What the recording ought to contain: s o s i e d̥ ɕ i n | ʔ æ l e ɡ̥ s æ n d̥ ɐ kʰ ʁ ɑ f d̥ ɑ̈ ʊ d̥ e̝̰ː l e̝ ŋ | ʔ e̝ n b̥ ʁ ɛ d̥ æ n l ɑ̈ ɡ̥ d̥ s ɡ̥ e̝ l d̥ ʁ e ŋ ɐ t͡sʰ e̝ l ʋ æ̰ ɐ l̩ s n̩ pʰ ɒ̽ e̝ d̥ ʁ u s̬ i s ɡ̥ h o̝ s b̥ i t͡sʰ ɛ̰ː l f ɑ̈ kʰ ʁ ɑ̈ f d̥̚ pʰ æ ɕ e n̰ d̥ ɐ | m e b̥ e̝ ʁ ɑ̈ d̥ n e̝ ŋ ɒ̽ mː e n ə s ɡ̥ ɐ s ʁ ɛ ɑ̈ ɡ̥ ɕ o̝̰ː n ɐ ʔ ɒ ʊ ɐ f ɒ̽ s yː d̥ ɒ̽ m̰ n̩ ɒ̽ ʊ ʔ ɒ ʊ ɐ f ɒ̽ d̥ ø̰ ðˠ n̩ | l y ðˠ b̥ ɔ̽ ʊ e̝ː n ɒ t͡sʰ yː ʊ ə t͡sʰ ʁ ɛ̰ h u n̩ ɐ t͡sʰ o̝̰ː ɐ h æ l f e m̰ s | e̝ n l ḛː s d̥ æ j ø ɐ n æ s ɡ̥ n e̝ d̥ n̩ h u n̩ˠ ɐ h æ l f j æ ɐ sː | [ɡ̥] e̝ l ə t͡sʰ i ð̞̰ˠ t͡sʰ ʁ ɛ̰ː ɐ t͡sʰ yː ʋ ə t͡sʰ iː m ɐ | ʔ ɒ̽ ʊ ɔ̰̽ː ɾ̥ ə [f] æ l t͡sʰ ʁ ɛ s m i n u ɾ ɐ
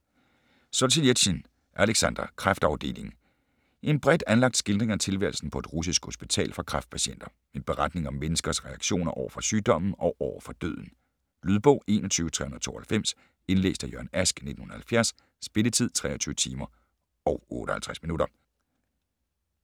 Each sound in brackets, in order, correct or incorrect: incorrect, incorrect

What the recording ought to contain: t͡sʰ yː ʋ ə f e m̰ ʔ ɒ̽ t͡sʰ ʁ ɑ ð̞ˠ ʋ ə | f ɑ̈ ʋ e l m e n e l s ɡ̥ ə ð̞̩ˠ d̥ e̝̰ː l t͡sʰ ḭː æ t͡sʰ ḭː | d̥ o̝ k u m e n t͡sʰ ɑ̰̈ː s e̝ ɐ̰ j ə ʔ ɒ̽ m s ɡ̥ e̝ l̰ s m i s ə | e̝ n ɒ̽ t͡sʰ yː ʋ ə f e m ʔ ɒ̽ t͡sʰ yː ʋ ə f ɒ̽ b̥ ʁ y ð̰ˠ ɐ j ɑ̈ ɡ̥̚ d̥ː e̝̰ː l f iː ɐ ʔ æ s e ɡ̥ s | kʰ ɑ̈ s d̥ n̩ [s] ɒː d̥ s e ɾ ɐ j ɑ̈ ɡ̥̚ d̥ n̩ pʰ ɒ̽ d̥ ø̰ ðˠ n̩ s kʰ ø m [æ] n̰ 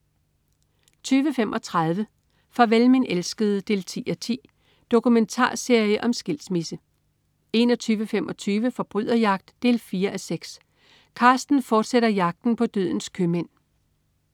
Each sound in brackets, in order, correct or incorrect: incorrect, incorrect

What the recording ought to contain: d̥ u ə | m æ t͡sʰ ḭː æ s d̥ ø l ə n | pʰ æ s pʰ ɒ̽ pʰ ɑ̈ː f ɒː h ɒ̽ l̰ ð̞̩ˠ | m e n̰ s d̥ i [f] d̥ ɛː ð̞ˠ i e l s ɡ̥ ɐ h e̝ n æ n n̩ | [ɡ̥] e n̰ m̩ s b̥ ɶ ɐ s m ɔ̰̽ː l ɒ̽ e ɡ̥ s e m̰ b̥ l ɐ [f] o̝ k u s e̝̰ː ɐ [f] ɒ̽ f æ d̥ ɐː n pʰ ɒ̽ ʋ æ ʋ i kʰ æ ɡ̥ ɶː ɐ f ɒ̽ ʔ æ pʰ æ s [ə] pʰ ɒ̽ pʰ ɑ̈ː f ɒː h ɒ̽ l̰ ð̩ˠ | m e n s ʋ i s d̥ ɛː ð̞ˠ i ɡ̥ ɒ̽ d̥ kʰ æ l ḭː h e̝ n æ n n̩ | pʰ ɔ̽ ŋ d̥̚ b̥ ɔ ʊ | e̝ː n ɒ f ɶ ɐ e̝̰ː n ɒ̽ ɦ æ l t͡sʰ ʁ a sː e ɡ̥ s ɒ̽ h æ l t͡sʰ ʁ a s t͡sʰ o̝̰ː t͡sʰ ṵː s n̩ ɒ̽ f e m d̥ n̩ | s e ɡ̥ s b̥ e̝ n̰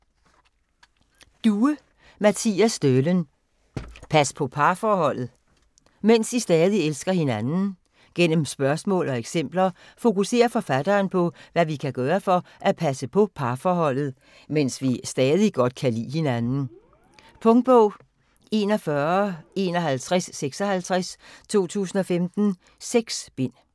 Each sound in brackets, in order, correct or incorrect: incorrect, correct, correct, correct, correct

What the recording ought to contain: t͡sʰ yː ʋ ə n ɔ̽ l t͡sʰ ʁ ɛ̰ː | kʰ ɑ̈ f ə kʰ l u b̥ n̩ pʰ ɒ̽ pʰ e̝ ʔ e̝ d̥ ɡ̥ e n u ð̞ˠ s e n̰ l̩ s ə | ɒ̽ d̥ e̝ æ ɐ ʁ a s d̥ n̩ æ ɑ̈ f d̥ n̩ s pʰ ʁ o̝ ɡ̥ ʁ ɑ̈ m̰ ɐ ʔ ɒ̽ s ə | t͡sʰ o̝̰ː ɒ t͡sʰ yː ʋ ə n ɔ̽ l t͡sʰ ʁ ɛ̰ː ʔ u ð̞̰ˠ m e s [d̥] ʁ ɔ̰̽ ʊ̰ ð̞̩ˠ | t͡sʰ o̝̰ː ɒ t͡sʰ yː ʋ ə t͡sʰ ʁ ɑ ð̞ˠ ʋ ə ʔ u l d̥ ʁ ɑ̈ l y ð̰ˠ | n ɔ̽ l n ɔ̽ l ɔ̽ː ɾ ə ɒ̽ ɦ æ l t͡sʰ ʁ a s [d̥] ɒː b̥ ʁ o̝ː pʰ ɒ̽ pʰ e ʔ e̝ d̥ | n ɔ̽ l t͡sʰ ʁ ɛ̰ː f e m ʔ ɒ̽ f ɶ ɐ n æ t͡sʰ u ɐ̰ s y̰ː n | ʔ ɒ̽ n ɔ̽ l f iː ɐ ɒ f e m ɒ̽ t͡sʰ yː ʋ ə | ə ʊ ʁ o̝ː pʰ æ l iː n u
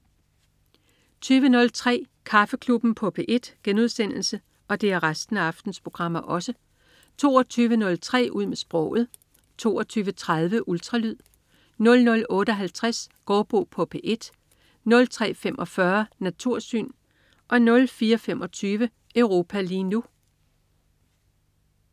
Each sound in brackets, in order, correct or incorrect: incorrect, incorrect

